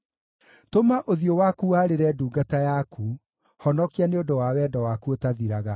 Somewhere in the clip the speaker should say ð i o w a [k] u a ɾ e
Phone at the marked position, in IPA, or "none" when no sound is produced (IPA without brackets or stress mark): k